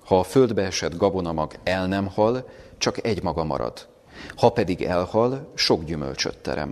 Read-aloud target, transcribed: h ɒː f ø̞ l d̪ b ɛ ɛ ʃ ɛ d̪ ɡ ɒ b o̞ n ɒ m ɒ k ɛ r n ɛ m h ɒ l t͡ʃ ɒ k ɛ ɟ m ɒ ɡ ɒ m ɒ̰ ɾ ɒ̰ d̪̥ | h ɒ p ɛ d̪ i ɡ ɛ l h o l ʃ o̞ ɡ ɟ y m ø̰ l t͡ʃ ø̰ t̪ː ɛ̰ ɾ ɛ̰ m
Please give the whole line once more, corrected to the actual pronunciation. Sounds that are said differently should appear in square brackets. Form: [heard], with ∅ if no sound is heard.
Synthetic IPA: h ɒː f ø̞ l d̪ b ɛ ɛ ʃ ɛ d̪ ɡ ɒ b o̞ n ɒ m ɒ [ɡ] ɛ [l] n ɛ m h ɒ l t͡ʃ ɒ k ɛ ɟ m ɒ ɡ ɒ m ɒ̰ ɾ ɒ̰ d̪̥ | h ɒ p ɛ d̪ i ɡ ɛ l h [ɒ] l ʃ o̞ ɡ ɟ y m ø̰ l t͡ʃ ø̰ t̪ː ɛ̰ ɾ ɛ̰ m